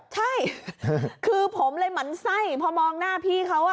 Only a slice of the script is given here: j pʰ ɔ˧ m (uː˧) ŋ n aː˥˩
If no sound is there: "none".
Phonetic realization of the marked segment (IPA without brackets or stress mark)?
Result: ɔː˧